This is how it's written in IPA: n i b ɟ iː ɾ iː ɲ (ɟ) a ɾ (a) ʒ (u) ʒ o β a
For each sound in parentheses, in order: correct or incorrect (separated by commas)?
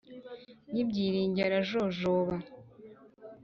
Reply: correct, correct, incorrect